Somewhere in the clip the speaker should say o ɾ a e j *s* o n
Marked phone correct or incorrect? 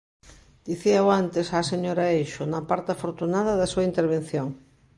incorrect: ʃ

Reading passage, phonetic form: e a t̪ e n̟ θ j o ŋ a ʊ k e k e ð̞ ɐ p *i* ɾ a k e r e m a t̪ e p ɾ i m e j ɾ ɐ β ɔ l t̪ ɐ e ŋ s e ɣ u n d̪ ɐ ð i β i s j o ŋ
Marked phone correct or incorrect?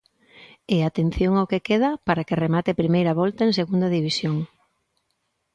incorrect: a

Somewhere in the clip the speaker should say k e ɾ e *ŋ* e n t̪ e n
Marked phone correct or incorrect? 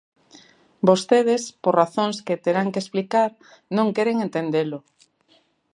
correct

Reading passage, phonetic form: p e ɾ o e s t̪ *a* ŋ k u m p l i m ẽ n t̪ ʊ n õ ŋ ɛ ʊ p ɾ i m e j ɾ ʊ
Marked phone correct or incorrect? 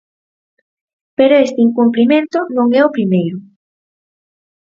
incorrect: i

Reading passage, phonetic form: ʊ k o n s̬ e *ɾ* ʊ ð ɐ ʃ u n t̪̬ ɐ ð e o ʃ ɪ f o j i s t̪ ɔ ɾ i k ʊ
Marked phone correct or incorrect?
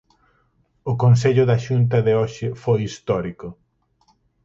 incorrect: ʎ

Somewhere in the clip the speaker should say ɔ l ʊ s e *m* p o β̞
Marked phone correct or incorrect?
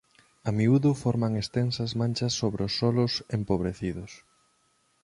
correct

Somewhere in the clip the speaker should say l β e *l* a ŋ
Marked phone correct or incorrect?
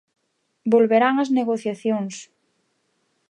incorrect: ɾ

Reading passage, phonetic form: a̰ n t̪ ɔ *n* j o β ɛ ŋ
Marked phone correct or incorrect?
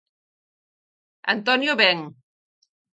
correct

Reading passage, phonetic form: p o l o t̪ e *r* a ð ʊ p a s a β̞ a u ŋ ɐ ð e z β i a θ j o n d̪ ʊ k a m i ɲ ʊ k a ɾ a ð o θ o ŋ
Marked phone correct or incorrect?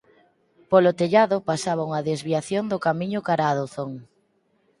incorrect: ʎ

